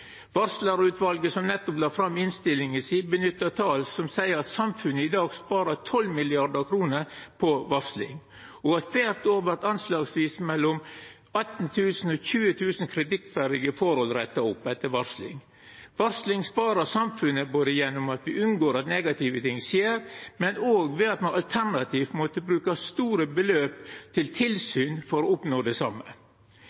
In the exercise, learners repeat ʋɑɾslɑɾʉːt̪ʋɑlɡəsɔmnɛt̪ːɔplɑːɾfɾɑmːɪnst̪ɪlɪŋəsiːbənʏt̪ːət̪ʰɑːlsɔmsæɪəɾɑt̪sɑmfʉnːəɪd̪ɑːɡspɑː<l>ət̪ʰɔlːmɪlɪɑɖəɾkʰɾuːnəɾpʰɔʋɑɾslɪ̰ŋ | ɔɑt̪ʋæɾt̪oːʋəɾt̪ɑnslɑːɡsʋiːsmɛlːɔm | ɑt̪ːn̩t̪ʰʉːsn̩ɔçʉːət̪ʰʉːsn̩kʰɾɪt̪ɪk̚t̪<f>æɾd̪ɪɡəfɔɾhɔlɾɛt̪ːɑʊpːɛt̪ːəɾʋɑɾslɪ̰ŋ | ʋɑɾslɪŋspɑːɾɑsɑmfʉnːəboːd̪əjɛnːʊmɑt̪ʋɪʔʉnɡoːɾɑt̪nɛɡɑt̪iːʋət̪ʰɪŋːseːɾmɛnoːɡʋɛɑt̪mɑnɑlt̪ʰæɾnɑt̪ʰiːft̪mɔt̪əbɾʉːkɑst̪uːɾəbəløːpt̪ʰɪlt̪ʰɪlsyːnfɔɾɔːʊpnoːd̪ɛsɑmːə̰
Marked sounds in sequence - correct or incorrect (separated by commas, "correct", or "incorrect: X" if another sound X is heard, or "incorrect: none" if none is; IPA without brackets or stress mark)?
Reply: incorrect: ɾ, correct